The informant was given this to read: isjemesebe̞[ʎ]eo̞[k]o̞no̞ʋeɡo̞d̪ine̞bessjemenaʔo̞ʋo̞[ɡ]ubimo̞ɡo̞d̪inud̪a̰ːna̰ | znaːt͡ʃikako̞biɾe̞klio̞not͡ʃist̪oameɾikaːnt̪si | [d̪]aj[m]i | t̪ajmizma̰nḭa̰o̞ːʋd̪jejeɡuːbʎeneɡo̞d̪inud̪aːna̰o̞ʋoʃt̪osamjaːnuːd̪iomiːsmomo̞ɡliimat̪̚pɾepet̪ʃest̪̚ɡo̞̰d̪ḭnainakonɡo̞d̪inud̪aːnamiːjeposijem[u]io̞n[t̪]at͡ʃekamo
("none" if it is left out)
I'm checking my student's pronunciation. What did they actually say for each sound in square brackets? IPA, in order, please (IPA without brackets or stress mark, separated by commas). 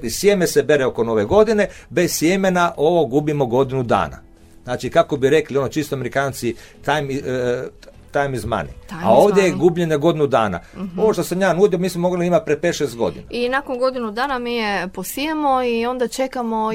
ɾ, k, ɡ, t̪, m, o, d̪